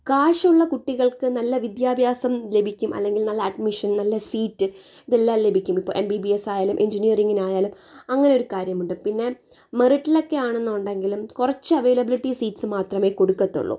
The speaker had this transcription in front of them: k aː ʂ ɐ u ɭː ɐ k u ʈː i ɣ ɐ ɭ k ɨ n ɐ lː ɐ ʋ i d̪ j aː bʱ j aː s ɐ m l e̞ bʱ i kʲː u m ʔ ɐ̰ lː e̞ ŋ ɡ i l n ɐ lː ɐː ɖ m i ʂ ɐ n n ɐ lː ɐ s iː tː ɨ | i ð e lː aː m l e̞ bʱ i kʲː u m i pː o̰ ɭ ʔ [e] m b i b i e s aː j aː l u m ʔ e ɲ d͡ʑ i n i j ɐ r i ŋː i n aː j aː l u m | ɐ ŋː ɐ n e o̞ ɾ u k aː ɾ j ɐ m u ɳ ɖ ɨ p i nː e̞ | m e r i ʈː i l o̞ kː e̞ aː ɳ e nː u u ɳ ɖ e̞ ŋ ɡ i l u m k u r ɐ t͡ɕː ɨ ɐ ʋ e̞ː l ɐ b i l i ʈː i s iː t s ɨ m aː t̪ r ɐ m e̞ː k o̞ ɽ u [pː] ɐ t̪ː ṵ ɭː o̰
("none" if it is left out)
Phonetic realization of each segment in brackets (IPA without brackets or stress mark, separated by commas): e, kː